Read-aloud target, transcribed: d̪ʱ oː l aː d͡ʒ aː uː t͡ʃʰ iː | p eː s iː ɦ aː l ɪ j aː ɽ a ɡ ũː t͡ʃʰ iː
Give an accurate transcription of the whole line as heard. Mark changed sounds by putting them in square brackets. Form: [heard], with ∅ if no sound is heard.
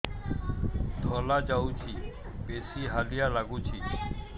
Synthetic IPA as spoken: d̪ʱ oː l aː d͡ʒ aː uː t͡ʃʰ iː | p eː s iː ɦ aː l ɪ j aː [l] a ɡ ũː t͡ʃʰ iː